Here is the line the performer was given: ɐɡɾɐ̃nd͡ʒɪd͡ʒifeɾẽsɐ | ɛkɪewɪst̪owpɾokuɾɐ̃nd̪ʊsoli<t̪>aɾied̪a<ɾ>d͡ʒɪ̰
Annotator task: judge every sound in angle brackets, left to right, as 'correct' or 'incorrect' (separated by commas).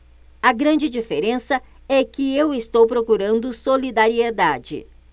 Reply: incorrect, incorrect